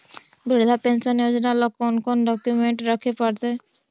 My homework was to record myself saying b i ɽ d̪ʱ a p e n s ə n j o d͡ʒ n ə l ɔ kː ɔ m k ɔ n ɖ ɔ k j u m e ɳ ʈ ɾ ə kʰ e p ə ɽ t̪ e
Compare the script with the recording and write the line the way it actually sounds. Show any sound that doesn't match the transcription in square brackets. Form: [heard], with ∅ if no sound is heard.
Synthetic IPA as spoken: b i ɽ d̪ʱ a p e n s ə n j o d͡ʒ n [a] l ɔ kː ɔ [n] k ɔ n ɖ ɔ k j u m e ɳ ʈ ɾ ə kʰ e p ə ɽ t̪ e